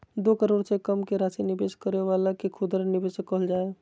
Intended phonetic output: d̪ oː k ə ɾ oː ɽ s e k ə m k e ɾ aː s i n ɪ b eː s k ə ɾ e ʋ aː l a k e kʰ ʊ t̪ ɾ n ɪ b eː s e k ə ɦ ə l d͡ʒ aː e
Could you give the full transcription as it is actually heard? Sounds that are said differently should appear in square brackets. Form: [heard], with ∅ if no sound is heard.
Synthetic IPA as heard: d̪ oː k ə ɾ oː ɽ s e k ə m k e ɾ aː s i n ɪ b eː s k ə ɾ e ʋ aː l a k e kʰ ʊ [d̪] ɾ n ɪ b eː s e k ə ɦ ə l d͡ʒ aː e